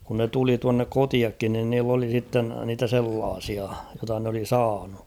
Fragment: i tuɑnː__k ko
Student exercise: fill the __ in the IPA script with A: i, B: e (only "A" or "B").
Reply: B